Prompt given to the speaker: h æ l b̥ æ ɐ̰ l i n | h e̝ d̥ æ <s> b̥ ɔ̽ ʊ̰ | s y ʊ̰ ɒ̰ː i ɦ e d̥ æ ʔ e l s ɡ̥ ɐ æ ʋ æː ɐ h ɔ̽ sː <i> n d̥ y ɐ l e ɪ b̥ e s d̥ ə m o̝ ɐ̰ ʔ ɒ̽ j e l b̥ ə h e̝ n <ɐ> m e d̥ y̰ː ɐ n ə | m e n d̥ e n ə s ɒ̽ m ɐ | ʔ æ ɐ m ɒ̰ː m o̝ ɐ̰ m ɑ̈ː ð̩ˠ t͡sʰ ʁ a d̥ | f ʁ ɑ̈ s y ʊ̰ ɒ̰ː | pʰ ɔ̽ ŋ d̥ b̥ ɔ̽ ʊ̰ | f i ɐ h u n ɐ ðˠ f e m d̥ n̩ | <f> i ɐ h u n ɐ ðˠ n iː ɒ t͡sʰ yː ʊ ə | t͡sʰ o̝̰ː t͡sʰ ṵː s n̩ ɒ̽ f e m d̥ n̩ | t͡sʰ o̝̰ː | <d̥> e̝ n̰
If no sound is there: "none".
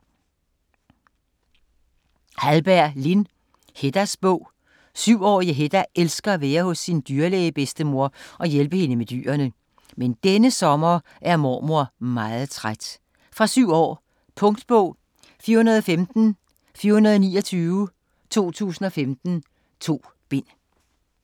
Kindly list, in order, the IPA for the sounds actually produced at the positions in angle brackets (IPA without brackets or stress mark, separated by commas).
s, i, ə, f, b̥